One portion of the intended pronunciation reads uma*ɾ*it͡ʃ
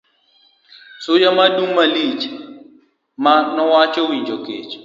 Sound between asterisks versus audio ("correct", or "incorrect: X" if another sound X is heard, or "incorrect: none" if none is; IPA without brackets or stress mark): incorrect: l